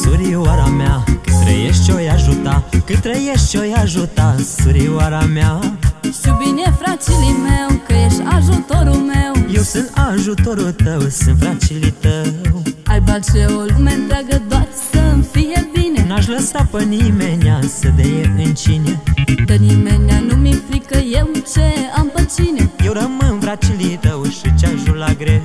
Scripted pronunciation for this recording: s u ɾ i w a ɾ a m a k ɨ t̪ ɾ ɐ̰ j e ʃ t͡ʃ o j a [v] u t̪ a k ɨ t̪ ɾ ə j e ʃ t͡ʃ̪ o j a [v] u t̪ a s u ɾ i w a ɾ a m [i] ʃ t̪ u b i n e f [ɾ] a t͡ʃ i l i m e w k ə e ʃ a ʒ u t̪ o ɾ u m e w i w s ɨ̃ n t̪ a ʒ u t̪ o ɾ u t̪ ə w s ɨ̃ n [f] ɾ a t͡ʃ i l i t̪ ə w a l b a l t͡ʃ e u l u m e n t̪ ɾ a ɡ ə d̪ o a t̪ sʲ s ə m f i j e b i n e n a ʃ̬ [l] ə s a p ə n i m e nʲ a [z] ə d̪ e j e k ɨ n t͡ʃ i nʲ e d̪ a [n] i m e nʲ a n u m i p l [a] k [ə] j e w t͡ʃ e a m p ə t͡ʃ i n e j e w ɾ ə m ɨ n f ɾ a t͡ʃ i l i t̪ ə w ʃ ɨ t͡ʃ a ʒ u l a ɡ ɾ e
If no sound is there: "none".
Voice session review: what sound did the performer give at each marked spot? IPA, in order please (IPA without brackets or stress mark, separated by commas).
ʒ, ʒ, a, ɾ, f, l, s, n, i, ə